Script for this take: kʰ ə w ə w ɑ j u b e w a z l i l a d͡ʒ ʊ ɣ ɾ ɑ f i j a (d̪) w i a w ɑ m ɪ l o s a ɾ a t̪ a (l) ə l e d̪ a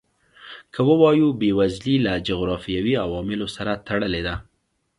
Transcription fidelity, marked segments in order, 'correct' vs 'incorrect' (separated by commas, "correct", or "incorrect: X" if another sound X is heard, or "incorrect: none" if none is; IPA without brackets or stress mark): incorrect: none, incorrect: ɽ